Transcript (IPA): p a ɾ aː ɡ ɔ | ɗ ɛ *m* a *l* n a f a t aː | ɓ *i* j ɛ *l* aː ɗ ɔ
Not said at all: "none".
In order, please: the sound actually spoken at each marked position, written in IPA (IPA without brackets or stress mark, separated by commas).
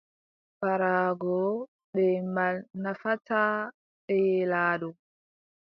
m, l, ɛ, l